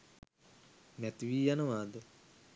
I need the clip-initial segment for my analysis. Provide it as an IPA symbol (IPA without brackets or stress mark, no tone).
m